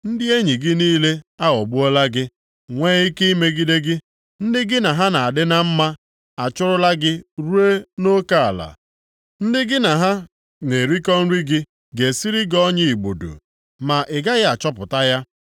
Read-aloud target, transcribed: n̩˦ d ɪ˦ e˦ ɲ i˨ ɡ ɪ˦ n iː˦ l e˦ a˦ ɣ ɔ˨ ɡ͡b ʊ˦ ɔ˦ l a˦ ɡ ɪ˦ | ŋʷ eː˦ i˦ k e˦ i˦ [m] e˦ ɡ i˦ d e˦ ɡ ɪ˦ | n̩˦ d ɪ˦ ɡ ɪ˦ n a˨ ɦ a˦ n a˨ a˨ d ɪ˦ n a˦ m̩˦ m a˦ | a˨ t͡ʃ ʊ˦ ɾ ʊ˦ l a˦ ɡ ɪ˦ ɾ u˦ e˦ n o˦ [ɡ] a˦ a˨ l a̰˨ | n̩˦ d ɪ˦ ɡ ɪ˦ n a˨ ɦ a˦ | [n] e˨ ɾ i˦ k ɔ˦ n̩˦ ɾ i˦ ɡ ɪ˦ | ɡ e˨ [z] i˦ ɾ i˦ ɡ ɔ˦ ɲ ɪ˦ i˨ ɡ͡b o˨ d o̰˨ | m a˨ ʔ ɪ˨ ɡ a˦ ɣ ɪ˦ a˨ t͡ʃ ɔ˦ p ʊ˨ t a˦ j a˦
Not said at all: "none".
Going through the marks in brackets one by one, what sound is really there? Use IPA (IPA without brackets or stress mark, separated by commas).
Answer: m, k, n, s